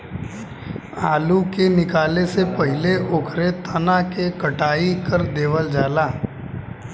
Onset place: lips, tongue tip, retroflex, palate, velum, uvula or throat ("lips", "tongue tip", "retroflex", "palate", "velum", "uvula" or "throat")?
tongue tip